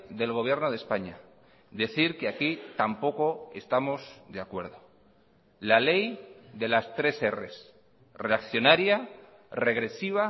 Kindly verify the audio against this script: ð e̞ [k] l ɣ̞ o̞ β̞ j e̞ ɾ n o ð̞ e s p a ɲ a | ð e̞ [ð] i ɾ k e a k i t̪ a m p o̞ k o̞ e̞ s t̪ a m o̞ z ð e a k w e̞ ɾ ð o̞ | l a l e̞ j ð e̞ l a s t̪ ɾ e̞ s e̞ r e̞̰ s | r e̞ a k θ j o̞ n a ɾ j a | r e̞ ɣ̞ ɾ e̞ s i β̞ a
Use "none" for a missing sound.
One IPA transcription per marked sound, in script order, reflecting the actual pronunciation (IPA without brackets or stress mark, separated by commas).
none, θ